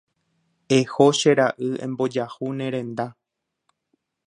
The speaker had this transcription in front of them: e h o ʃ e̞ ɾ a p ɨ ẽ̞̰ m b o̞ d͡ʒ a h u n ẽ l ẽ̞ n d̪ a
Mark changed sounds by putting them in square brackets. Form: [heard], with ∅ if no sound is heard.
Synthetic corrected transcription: e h o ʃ e̞ ɾ a [ʔ] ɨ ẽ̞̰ m b o̞ d͡ʒ a h u n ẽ [ɾ] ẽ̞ n d̪ a

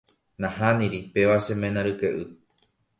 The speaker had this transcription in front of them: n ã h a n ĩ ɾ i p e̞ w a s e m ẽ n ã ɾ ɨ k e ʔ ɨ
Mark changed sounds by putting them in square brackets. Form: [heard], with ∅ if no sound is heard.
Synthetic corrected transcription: n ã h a n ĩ ɾ i p e̞ [ʋ] a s e m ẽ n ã ɾ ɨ k e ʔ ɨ

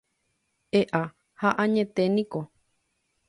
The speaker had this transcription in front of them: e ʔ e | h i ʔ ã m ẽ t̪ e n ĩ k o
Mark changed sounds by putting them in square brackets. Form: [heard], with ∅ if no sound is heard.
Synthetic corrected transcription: e ʔ [a] | h [a] ʔ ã [ɲ] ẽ t̪ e n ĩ k o

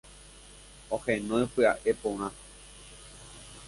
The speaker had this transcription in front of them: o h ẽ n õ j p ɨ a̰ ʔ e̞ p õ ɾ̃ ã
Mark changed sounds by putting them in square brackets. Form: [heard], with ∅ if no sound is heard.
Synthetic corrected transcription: o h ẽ n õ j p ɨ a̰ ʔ e̞ p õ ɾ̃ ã

